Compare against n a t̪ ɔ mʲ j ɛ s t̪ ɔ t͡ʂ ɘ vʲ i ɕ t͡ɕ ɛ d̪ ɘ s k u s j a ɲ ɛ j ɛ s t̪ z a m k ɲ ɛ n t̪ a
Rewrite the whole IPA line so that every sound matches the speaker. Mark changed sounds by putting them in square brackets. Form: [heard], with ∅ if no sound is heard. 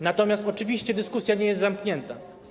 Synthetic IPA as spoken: n a t̪ ɔ mʲ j [a] s t̪ ɔ t͡ʂ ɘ vʲ i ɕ t͡ɕ ɛ d̪ ɘ s k u s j a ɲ ɛ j ɛ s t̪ z a m k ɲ ɛ n t̪ a